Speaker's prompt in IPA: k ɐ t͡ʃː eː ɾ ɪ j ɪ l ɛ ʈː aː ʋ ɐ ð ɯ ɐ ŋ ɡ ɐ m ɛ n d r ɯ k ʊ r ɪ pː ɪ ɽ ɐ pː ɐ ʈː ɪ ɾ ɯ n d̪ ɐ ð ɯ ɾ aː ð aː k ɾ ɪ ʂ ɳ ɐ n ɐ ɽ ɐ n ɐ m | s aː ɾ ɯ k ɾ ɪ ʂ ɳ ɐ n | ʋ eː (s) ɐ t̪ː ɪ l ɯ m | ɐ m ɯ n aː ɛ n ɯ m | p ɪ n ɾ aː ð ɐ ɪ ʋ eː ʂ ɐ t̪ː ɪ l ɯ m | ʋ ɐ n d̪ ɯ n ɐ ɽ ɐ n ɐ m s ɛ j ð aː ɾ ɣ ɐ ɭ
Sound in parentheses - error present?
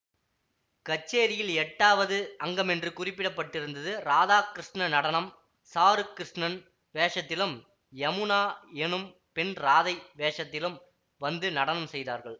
yes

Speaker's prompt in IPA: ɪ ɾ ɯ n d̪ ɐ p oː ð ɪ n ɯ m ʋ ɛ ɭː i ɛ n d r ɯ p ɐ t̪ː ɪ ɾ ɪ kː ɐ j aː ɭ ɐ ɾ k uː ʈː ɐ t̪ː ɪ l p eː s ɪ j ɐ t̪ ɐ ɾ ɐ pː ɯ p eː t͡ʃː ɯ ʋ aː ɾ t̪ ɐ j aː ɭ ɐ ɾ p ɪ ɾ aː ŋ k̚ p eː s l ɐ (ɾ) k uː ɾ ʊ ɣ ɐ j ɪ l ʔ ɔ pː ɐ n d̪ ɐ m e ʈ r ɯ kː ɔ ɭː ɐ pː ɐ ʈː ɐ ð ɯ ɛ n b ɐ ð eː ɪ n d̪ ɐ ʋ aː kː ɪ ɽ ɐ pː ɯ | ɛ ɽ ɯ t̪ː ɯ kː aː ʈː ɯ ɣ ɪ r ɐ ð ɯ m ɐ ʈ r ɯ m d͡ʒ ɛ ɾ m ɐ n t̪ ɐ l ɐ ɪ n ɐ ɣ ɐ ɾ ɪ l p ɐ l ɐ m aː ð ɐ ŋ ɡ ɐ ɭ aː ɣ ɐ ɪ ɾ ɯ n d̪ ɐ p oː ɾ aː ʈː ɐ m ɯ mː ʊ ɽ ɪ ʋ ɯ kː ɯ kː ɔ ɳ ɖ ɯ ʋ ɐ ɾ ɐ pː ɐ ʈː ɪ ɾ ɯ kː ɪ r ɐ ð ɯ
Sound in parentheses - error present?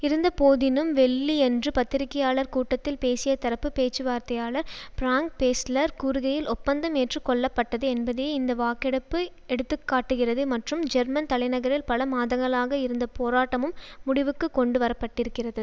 no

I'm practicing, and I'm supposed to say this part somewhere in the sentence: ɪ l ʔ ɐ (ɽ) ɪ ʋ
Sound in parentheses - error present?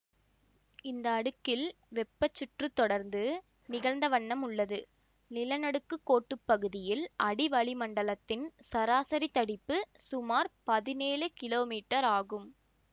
no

